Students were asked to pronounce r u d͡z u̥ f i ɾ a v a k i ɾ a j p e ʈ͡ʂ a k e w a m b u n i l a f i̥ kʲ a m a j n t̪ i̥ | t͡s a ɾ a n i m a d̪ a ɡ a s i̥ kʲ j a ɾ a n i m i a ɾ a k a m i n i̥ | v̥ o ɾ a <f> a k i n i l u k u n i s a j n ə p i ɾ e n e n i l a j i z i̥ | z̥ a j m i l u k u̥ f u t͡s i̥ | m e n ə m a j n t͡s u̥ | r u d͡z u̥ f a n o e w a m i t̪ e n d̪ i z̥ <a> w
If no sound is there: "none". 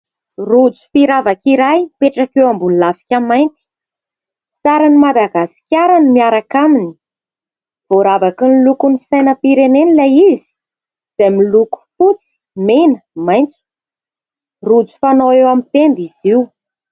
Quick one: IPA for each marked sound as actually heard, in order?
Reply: v, i

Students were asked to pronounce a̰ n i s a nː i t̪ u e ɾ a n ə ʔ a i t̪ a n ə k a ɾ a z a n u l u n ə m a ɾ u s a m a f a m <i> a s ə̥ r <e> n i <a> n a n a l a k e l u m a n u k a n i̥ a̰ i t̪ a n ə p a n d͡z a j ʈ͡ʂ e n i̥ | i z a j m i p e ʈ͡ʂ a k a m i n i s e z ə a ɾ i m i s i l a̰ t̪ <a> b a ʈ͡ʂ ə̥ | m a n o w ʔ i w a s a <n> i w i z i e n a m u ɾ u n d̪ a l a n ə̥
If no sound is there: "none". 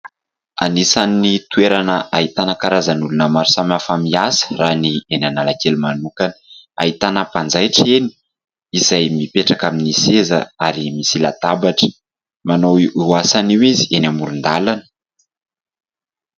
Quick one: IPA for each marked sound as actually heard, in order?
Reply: i, a, e, a, n

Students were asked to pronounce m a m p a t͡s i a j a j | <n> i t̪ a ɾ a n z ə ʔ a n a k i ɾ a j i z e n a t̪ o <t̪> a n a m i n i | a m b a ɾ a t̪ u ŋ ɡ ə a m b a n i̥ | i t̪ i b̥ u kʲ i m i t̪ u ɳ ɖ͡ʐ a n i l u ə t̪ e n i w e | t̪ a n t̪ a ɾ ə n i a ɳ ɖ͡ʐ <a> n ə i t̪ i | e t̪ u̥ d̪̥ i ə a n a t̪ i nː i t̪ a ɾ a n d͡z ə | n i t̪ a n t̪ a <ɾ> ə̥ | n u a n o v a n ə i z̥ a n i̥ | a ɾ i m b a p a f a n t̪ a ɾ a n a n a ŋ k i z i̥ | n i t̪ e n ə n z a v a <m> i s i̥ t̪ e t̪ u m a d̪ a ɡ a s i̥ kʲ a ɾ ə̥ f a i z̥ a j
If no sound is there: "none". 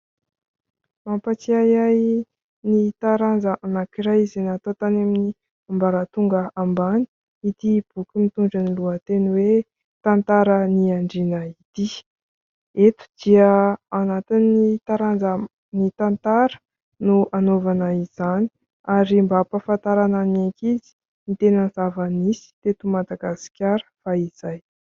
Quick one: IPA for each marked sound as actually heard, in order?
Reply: n, t̪, i, ɾ, n

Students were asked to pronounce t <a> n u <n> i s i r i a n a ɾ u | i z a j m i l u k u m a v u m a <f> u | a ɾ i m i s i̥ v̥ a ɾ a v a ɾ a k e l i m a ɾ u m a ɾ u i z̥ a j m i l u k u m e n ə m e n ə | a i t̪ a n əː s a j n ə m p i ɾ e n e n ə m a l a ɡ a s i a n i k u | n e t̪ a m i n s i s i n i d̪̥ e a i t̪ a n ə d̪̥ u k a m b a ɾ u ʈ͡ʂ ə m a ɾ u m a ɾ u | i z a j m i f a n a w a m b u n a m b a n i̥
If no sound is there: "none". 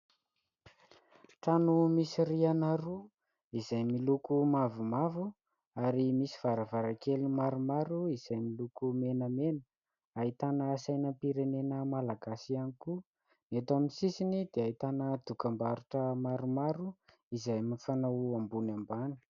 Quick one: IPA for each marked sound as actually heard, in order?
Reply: a, m, v

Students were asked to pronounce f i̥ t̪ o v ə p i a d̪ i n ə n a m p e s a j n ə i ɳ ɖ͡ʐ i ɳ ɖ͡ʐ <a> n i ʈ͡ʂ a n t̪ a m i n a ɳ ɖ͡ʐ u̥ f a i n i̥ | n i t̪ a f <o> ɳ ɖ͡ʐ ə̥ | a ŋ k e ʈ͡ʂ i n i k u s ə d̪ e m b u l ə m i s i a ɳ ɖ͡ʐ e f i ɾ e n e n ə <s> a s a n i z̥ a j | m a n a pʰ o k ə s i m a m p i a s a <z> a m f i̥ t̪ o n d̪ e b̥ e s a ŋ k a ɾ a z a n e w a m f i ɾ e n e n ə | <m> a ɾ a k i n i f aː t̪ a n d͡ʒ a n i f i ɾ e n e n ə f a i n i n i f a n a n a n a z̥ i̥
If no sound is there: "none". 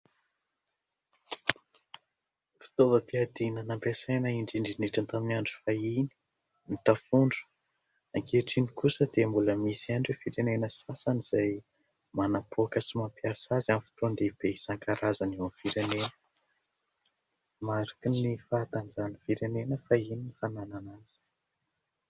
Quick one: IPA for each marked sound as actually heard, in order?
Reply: i, u, s, z, m

